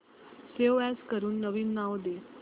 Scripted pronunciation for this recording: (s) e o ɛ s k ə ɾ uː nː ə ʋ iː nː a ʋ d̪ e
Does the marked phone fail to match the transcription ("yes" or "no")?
no